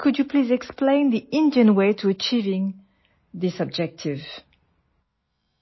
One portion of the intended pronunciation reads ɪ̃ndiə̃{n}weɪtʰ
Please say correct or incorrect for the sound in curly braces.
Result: correct